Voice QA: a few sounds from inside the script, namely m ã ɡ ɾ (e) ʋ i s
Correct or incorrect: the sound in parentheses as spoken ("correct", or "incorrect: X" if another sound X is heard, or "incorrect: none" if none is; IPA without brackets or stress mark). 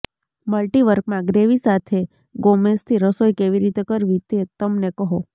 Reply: correct